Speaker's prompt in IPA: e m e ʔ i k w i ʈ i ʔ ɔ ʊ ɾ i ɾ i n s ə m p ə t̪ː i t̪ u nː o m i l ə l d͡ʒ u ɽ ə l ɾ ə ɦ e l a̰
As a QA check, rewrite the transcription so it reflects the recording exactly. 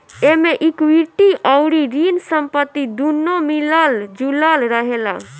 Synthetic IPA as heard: e m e ʔ i k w i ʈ i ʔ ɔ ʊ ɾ i ɾ i n s ə m p ə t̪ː i d̪ u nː o m i l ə l d͡ʒ u l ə l ɾ ə ɦ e l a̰